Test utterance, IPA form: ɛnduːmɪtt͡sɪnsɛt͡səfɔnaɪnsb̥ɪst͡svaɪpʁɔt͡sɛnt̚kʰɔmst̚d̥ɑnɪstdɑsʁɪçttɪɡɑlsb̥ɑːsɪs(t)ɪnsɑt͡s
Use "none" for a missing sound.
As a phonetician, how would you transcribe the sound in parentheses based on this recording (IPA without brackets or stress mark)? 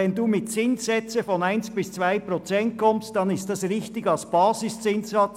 t͡s